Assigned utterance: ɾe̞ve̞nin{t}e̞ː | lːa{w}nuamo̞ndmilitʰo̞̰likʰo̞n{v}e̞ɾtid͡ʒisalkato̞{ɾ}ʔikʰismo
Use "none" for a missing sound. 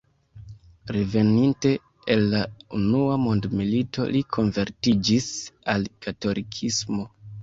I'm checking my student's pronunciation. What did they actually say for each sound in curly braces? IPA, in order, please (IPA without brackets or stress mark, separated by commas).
t, u, v, l